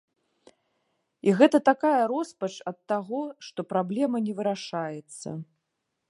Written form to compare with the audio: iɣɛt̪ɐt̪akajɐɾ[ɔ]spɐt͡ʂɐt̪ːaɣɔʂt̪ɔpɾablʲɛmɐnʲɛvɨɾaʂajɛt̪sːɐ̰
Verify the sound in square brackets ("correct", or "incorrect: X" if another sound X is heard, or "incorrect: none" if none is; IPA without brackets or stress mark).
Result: correct